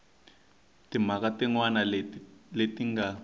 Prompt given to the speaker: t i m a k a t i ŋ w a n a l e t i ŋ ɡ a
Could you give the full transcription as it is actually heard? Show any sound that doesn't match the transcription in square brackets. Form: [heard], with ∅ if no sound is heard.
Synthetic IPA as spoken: t i m a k a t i ŋ w a n a l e t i ŋ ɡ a